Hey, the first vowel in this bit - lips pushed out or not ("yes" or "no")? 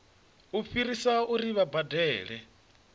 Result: yes